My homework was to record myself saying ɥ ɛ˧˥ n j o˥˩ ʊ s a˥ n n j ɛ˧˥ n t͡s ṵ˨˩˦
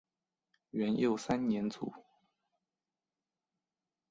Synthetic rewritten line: ɥ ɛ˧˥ n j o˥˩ ʊ s a˥ n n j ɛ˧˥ n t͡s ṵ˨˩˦